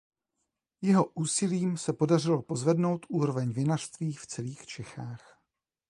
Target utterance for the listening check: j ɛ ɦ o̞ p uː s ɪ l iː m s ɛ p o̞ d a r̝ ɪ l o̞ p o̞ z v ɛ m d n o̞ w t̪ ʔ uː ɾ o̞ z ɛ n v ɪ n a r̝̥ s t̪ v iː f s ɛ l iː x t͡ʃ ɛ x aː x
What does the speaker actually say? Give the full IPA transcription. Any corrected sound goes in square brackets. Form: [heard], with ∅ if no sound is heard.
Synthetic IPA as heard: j ɛ ɦ o̞ [ʔ] uː s ɪ l iː m s ɛ p o̞ d a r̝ ɪ l o̞ p o̞ z v ɛ [∅] d n o̞ w t̪ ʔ uː ɾ o̞ [v] ɛ [ɲ] v ɪ n a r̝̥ s t̪ v iː f [t͡s] ɛ l iː x t͡ʃ ɛ x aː x